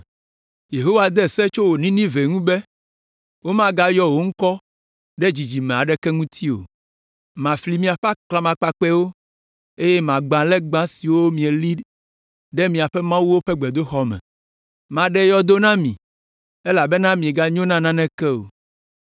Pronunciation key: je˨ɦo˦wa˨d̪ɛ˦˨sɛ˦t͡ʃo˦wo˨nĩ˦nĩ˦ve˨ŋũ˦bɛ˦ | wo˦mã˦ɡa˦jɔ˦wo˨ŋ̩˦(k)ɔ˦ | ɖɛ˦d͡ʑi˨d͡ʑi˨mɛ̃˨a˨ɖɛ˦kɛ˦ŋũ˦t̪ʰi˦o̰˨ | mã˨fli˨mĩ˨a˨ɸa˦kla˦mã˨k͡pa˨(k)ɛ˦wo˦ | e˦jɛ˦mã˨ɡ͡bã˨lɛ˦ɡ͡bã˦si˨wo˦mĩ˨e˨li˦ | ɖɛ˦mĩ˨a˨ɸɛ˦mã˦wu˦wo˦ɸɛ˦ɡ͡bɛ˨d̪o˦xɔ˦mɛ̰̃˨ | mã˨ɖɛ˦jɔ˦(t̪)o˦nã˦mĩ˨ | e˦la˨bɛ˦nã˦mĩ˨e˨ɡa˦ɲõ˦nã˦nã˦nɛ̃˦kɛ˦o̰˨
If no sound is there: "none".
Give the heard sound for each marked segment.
k, k͡p, d̪

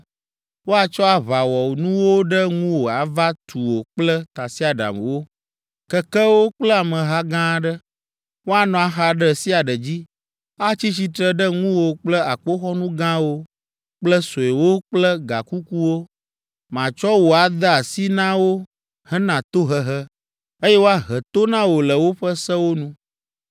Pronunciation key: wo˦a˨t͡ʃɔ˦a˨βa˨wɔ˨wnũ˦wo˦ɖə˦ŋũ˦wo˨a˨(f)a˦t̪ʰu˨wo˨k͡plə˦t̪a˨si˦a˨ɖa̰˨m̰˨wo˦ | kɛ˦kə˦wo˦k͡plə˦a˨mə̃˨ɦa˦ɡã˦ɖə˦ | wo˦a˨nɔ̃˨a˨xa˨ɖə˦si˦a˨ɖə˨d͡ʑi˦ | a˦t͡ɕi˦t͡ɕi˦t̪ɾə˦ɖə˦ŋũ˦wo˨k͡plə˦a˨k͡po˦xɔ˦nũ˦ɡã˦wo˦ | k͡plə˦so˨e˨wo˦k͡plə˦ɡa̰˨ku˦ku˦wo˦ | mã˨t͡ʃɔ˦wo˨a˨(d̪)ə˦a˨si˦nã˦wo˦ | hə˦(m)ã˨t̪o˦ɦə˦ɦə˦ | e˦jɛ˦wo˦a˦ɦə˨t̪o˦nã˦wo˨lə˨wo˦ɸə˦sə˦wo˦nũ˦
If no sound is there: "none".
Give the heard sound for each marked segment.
v, d̪, n

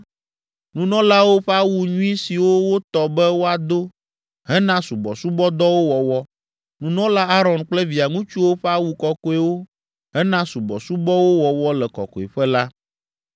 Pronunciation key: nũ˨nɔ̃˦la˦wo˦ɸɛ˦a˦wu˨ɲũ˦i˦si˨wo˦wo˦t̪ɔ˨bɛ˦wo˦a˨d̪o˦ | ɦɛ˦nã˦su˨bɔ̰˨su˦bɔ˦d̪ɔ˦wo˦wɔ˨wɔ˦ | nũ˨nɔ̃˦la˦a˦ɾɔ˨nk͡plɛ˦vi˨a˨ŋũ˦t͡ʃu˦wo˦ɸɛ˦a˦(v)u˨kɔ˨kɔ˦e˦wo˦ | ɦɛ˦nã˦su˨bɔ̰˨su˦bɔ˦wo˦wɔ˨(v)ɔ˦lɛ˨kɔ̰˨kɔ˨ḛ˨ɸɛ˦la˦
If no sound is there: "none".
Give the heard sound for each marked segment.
w, w

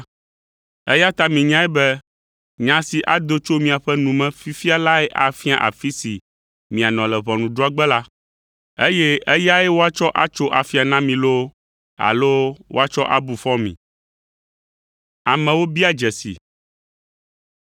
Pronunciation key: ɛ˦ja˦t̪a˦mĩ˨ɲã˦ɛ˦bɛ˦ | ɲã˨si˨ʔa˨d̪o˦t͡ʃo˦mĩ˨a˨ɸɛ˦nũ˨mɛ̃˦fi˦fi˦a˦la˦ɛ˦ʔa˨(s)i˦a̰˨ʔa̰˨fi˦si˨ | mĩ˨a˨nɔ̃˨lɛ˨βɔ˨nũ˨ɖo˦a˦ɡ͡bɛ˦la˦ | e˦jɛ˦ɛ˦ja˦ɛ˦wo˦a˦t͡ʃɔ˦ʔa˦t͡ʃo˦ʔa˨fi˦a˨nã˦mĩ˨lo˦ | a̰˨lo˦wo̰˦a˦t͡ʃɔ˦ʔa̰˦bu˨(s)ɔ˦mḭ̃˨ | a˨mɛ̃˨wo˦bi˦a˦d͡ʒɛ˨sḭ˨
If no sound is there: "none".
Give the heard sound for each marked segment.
f, f

